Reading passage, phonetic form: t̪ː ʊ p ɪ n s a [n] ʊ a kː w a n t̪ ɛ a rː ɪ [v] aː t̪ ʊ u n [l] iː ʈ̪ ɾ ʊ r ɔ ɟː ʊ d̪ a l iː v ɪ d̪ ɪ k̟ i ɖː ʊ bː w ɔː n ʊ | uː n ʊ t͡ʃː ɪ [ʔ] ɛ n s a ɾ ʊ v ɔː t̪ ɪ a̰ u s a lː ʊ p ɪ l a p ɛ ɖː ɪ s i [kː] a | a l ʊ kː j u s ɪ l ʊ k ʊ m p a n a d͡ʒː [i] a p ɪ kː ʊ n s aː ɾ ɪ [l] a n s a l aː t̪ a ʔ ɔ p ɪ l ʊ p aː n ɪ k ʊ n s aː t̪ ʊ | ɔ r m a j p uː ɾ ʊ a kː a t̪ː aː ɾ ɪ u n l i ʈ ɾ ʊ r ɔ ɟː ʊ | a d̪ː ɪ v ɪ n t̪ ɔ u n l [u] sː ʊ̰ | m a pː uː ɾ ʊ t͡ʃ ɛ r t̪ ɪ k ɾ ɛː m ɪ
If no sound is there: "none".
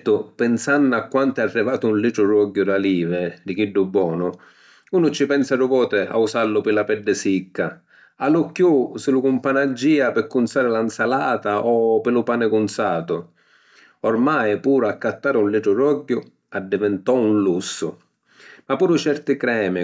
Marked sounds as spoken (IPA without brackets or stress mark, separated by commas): nː, v, l, p, kː, iː, l, u